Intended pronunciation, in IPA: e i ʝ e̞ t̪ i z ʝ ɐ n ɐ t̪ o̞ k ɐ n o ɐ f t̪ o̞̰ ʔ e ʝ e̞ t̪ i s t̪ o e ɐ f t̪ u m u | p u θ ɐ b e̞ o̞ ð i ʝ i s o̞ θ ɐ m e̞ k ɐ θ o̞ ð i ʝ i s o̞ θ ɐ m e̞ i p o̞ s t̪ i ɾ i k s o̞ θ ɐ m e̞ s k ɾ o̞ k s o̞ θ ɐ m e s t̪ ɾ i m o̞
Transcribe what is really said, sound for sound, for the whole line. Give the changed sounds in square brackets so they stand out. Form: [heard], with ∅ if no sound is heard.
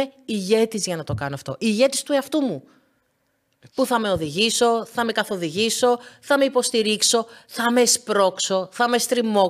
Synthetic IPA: e i ʝ e̞ t̪ i z ʝ ɐ n ɐ t̪ o̞ k ɐ n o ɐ f t̪ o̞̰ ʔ [i] ʝ e̞ t̪ i s t̪ [u] e ɐ f t̪ u m u | p u θ ɐ [m] e̞ o̞ ð i ʝ i s o̞ θ ɐ m e̞ k ɐ θ o̞ ð i ʝ i s o̞ θ ɐ m e̞ i p o̞ s t̪ i ɾ i k s o̞ θ ɐ m e̞ s [p] ɾ o̞ k s o̞ θ ɐ m e s t̪ ɾ i m o̞